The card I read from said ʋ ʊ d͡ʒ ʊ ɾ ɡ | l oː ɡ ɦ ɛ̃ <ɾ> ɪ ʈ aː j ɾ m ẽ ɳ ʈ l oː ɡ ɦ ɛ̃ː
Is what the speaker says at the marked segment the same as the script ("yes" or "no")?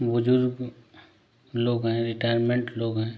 yes